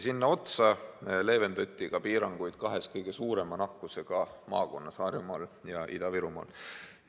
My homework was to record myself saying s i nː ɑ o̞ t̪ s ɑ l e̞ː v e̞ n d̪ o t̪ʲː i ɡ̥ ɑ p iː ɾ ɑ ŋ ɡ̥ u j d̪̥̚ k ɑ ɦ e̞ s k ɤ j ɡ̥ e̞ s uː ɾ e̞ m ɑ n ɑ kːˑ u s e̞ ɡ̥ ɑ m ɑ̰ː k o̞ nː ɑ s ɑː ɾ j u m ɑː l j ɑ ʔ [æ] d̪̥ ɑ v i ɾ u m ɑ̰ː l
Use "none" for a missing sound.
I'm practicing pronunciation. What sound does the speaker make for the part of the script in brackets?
i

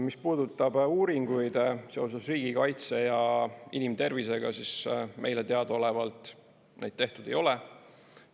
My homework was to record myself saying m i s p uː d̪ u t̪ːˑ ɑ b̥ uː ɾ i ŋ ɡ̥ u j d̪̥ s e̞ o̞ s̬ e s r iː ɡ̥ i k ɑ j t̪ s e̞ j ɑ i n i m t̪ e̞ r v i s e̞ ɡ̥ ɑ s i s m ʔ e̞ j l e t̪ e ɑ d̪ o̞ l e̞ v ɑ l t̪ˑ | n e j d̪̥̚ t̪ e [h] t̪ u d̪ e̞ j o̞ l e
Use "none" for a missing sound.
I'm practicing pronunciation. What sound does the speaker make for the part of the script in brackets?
h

